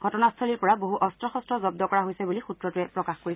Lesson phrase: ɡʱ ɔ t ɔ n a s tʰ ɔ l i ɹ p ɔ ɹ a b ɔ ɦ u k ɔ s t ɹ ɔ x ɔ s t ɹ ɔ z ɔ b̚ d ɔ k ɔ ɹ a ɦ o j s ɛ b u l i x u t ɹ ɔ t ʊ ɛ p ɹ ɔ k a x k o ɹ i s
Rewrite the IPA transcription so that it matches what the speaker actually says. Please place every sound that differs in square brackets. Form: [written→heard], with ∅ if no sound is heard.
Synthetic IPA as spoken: ɡʱ ɔ t ɔ n a s tʰ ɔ l i ɹ p ɔ ɹ a b [ɔ→o] ɦ u [k→ʔ] ɔ s t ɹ ɔ x ɔ s t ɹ ɔ z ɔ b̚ d ɔ k ɔ ɹ a ɦ o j s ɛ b u l i x u t ɹ ɔ t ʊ ɛ p ɹ ɔ k a x k o ɹ i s